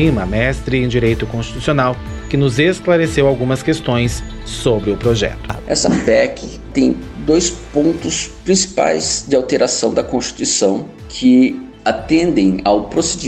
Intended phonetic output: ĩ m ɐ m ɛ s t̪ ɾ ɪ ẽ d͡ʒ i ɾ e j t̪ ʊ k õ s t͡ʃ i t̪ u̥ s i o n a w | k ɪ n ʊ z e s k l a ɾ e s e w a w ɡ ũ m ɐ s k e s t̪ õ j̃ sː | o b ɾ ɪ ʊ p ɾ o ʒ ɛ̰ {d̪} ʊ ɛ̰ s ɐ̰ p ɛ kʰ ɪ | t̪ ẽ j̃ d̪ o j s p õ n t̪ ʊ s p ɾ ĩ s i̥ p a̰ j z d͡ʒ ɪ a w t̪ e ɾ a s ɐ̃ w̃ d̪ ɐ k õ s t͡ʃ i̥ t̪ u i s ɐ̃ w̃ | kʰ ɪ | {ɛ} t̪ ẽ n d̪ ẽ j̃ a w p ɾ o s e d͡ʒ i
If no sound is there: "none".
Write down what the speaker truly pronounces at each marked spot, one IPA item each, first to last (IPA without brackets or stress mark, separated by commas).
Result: t̪, a